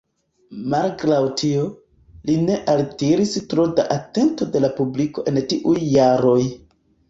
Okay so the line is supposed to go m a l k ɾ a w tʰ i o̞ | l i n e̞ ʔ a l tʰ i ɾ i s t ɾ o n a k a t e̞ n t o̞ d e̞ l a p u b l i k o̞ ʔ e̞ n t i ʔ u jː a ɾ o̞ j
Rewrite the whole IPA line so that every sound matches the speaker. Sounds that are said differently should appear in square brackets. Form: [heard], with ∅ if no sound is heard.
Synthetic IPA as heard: m a l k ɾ a w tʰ i o̞ | l i n e̞ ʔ a l [t] i ɾ i s t ɾ o [d] a [ʔ] a t e̞ n t o̞ d e̞ l a p u b l i k o̞ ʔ e̞ n t i ʔ u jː a ɾ o̞ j